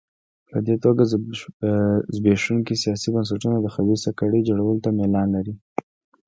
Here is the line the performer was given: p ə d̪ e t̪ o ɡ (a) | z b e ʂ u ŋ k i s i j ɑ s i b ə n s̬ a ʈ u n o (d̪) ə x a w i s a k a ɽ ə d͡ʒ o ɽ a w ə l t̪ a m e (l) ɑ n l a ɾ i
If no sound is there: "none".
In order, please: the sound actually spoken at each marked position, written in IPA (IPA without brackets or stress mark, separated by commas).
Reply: a, d̪, l